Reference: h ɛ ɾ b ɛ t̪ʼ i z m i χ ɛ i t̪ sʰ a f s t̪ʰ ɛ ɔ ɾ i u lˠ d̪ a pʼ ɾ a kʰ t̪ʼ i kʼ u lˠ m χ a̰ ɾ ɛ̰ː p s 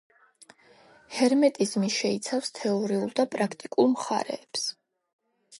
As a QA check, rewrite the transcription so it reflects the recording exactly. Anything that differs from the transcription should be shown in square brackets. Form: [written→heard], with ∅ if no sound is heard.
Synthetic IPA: h ɛ ɾ [b→m] ɛ t̪ʼ i z m i [χ→ʃ] ɛ i t̪ sʰ a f s t̪ʰ ɛ ɔ ɾ i u lˠ d̪ a pʼ ɾ a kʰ t̪ʼ i kʼ u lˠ m χ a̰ ɾ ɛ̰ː p s